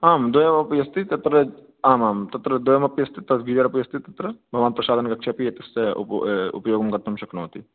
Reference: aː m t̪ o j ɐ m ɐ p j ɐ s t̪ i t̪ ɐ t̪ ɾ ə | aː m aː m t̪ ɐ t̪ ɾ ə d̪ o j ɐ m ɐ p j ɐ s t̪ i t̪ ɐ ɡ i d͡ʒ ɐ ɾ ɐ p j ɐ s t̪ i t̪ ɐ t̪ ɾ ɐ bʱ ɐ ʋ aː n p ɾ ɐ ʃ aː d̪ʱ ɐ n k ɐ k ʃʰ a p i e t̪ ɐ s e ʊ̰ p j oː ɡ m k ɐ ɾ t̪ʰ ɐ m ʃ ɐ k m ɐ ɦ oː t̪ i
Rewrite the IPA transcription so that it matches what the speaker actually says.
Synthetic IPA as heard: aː m d̪ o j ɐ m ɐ p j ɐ s t̪ i t̪ ɐ t̪ ɾ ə | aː m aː m t̪ ɐ t̪ ɾ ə d̪ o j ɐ m ɐ p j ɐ s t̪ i t̪ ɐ ɡ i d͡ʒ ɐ ɾ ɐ p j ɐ s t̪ i t̪ ɐ t̪ ɾ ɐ bʱ ɐ ʋ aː n p ɾ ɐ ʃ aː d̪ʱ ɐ n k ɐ k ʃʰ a p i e t̪ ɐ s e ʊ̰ p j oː ɡ m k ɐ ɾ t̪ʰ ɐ m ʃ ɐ k n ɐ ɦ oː t̪ i